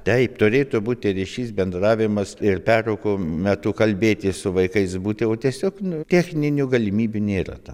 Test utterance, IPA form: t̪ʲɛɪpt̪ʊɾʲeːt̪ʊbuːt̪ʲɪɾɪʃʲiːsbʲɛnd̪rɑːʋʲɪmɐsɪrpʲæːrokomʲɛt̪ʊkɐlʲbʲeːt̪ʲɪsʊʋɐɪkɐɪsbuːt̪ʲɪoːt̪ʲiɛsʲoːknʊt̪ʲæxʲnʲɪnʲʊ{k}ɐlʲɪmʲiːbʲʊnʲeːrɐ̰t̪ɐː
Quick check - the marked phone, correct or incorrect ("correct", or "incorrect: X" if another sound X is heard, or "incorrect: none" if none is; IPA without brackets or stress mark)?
incorrect: ɡ